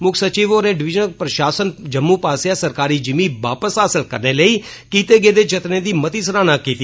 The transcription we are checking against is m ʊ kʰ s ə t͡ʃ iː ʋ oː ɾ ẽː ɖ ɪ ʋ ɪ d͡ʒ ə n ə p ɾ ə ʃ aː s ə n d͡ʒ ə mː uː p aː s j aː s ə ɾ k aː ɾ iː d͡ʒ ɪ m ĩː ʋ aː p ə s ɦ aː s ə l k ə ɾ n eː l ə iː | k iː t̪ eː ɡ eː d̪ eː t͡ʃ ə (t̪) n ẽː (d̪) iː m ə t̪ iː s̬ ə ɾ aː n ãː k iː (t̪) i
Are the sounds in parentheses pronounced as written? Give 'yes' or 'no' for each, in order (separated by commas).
yes, yes, yes